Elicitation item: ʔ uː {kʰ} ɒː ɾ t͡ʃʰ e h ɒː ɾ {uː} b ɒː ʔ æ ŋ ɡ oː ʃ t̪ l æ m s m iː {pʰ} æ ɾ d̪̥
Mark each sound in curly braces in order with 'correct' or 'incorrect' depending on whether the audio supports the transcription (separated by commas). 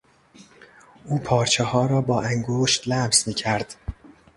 incorrect, incorrect, incorrect